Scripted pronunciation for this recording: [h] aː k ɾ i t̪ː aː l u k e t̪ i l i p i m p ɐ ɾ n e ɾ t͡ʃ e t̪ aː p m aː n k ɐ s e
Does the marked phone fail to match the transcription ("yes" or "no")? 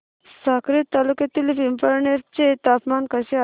yes